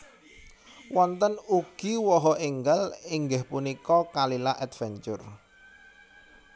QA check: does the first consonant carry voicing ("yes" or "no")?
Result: yes